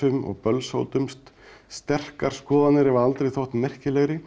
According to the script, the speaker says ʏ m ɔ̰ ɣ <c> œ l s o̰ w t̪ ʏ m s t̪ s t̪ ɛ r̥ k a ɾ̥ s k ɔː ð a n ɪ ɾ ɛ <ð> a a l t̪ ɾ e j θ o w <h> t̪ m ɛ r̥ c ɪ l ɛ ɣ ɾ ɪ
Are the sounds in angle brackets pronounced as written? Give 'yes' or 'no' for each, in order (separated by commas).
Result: no, no, yes